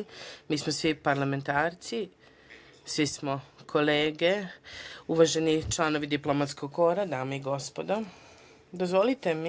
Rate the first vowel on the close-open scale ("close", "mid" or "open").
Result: close